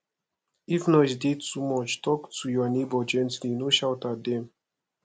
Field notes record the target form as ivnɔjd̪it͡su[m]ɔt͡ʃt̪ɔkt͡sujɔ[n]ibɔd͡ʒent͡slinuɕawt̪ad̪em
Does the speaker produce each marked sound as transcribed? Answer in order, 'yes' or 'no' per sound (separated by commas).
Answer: yes, yes